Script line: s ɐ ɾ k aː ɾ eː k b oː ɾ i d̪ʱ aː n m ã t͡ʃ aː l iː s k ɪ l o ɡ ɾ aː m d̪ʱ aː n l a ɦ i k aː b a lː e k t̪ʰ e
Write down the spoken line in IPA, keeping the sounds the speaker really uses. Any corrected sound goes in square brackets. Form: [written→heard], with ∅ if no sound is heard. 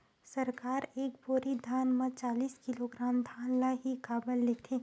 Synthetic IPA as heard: s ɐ ɾ k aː ɾ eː k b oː ɾ i d̪ʱ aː n m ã t͡ʃ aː l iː s k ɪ l o ɡ ɾ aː m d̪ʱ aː n l a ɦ i k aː b [a→ə] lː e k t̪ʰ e